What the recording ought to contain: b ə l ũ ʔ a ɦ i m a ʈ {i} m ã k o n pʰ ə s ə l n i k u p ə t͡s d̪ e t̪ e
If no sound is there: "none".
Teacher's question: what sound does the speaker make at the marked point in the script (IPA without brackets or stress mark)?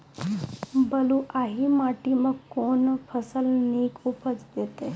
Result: i